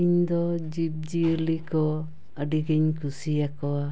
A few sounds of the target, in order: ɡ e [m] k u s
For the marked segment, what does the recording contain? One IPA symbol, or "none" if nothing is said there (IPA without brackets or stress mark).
ɲ